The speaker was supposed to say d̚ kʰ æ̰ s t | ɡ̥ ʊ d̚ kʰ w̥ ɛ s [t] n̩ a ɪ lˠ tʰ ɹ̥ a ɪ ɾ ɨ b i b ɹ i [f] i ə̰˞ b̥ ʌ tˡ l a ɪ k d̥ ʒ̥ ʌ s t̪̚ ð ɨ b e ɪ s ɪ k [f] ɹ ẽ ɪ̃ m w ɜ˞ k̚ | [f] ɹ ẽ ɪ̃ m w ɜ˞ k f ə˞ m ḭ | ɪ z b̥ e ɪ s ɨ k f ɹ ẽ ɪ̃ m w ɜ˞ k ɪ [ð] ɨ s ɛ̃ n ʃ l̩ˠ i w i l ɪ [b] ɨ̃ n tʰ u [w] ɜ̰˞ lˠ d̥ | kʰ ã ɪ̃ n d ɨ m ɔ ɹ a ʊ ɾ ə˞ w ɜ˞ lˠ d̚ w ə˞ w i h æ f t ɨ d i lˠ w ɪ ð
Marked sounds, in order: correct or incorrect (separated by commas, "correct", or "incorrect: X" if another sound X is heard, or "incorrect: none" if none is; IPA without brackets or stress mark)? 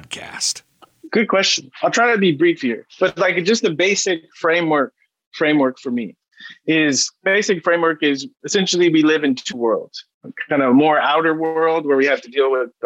incorrect: t͡ʃ, correct, correct, correct, incorrect: z, incorrect: v, correct